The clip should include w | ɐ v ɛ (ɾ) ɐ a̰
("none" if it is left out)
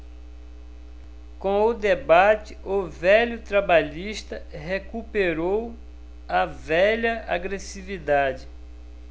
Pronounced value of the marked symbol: ʎ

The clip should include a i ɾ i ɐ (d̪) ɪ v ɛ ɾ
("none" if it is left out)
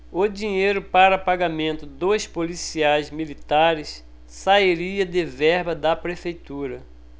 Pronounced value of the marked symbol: d̪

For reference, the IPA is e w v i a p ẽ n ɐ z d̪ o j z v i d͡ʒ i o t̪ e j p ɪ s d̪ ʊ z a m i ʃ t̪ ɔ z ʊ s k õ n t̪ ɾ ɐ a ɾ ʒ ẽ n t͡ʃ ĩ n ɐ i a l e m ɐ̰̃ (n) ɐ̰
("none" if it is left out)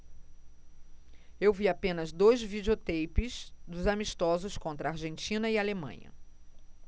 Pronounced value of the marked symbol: ɲ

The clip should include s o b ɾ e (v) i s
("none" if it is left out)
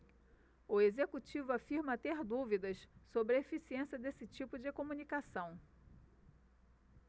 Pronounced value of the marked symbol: f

